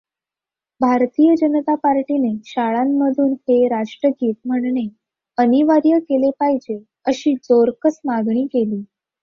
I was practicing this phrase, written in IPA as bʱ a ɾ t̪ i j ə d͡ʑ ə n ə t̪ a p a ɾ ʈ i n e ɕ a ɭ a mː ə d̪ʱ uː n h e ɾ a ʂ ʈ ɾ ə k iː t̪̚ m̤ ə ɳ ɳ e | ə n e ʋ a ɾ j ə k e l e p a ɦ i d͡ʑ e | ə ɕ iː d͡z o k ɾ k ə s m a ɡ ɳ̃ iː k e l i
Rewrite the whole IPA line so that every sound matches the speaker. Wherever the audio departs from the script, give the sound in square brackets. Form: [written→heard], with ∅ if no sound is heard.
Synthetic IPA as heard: bʱ a ɾ t̪ i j ə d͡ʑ ə n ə t̪ a p a ɾ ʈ i n e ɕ a ɭ a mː ə d̪ʱ uː n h e ɾ a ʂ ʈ ɾ ə [k→ɡ] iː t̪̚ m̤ ə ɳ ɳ e | ə n [e→i] ʋ a ɾ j ə k e l e p a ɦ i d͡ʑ e | ə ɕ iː d͡z o [k→∅] ɾ k ə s m a ɡ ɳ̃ iː k e l [i→iː]